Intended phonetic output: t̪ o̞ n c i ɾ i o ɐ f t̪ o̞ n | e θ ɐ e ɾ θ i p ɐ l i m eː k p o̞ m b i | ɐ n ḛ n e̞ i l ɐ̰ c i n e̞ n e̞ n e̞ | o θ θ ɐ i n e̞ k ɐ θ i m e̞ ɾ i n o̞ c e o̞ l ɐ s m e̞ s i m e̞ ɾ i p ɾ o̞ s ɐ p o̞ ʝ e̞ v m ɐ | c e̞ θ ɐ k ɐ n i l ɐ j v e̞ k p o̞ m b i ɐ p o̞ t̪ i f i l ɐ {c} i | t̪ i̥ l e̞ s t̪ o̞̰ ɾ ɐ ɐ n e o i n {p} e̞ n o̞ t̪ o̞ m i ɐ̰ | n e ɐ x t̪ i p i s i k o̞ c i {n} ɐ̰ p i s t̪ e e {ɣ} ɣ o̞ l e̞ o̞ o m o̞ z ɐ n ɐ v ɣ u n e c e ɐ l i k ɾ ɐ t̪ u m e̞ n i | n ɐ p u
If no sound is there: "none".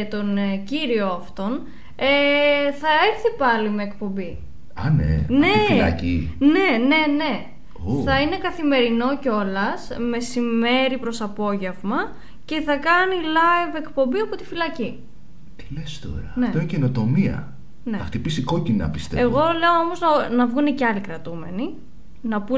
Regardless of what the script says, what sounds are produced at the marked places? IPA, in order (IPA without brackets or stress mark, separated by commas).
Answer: c, c, n, ɣ